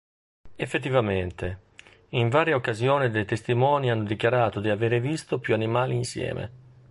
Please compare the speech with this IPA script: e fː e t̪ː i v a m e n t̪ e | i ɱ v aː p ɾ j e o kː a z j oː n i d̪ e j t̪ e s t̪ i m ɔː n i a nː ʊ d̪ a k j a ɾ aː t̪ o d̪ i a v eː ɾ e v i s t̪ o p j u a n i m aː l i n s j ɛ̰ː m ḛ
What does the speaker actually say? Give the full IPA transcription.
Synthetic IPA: e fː e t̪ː i v a m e n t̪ e | i ɱ v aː ɾ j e o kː a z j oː n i d̪ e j t̪ e s t̪ i m ɔː n i a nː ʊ d̪ i k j a ɾ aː t̪ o d̪ i a v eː ɾ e v i s t̪ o p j u a n i m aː l i n s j ɛ̰ː m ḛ